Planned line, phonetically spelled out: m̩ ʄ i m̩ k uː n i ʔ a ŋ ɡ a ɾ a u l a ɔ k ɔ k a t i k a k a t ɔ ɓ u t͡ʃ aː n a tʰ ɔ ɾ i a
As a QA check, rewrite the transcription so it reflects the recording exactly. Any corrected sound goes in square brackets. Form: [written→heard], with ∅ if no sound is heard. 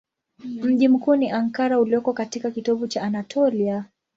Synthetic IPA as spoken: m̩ ʄ i m̩ k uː n i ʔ a ŋ [ɡ→k] a ɾ a u l [a→i] ɔ k ɔ k a t i k a k [a→i] t ɔ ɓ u t͡ʃ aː n a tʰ ɔ [ɾ→l] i a